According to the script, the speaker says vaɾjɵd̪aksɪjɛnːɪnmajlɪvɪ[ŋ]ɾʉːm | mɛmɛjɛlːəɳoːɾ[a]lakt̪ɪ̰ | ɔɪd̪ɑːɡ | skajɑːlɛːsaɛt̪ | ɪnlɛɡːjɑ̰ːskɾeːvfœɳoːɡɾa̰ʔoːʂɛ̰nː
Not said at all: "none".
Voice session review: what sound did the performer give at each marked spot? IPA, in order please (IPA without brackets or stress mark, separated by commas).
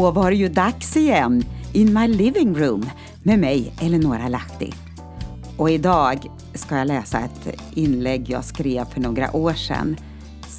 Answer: ŋ, a